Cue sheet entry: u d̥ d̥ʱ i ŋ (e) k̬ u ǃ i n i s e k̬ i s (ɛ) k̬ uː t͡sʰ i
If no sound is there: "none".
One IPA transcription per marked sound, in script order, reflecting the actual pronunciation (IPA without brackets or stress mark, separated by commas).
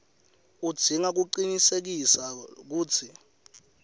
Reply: a, a